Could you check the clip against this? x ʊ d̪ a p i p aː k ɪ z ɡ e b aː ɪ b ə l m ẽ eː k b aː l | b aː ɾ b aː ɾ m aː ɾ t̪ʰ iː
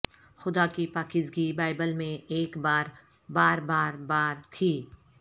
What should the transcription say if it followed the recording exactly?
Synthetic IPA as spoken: x ʊ d̪ a k i p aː k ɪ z ɡ i b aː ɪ b ə l m ẽ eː k b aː ɾ | b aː ɾ b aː ɾ b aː ɾ t̪ʰ iː